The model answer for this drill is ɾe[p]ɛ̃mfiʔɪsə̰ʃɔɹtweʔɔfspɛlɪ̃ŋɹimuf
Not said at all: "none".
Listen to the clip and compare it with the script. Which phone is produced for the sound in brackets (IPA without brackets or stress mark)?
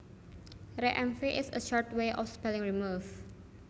ʔ